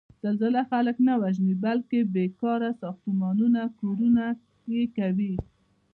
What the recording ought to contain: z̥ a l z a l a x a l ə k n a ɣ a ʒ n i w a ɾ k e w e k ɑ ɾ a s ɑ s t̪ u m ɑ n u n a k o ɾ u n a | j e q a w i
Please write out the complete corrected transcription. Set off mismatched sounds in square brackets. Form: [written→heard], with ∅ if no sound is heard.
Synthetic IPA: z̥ a l z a l a x a l ə k n a [ɣ→w] a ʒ n i [w→b] a [ɾ→l] k e [w→b] e k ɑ ɾ a s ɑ [s→x] t̪ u m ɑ n u n a k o ɾ u n a | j e [q→k] a w i

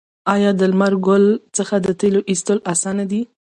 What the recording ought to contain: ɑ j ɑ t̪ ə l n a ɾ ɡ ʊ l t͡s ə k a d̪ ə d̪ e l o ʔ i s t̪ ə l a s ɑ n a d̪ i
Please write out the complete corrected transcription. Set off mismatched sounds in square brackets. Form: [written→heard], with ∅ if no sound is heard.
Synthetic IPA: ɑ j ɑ [t̪→d̪] ə l [n→m] a ɾ ɡ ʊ l t͡s ə [k→x] a d̪ ə [d̪→t̪] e l o ʔ i s t̪ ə l a s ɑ n a d̪ i

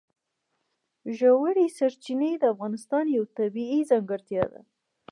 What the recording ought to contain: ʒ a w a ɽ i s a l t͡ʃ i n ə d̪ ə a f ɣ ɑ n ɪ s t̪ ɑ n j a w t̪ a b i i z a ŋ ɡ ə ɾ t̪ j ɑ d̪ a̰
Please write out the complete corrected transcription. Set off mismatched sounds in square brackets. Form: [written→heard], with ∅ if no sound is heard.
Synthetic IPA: ʒ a w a ɽ i s a [l→ɾ] t͡ʃ i n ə d̪ ə a f ɣ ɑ n ɪ s t̪ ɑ n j a w t̪ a b i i z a ŋ ɡ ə ɾ t̪ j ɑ d̪ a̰

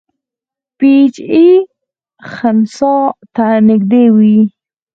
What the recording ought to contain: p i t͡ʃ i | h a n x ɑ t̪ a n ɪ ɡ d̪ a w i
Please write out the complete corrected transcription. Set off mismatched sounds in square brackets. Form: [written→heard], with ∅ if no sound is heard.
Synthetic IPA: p i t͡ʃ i | [h→x] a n [x→s] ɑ t̪ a n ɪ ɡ d̪ [a→e] w i

